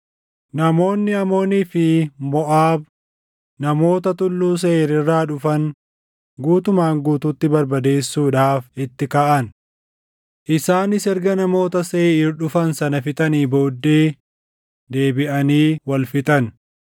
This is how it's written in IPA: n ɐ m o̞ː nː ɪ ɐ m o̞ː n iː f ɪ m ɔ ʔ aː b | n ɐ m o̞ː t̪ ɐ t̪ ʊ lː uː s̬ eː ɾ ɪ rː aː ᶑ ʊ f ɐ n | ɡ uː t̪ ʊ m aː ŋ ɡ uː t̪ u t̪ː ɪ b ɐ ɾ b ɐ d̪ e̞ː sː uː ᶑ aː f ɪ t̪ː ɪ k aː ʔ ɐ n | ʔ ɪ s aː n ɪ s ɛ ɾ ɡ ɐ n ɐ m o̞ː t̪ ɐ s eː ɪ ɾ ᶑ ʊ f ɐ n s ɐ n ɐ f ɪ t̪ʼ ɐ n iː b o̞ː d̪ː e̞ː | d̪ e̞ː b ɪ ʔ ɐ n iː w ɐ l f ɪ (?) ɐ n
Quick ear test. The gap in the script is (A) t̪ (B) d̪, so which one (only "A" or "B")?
A